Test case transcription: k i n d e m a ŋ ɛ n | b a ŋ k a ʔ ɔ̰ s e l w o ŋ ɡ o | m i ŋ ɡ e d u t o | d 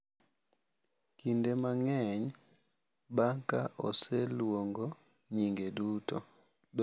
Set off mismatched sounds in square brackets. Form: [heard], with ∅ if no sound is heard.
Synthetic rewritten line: k i n d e m a ŋ ɛ [ɲ] | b a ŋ k a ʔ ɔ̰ s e l w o ŋ ɡ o | [ɲ] i ŋ ɡ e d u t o | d